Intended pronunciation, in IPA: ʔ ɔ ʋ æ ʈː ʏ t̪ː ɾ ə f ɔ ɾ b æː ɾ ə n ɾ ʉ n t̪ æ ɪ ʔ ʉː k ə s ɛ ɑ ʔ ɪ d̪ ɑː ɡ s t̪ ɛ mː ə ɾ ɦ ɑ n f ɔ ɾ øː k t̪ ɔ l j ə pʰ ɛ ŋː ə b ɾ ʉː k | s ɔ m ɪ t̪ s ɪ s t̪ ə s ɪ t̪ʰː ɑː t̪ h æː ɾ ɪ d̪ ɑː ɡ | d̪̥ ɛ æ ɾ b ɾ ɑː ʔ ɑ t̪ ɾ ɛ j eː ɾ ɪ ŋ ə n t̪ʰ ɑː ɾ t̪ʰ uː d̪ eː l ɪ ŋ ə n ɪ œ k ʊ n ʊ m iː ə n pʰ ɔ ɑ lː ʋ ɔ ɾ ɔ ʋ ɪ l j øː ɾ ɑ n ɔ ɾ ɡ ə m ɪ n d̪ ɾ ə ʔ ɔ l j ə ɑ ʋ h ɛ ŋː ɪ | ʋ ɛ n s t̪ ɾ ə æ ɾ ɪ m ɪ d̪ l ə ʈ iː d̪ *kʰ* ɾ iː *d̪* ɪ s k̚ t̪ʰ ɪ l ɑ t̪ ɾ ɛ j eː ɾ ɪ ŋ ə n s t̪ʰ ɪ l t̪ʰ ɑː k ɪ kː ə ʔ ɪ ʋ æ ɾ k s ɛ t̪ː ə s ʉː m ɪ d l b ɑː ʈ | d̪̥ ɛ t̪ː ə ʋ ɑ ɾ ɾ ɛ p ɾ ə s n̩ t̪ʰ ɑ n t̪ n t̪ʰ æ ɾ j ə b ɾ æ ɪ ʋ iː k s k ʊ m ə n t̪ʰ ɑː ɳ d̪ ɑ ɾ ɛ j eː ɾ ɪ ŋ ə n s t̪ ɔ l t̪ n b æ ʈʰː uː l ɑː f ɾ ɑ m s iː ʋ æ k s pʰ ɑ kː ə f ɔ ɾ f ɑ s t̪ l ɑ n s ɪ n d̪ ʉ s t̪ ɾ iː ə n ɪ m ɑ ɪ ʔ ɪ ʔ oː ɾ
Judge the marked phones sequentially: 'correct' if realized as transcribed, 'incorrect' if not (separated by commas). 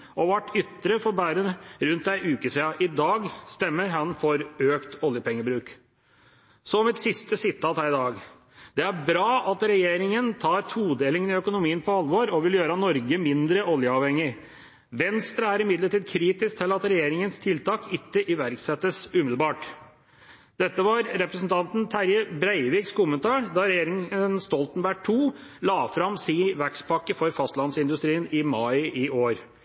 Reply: correct, incorrect